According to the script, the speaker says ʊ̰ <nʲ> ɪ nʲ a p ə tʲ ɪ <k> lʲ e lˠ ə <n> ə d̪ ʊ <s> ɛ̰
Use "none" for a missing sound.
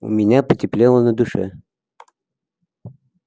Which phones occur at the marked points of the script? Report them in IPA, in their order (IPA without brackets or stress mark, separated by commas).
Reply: mʲ, p, n, ʂ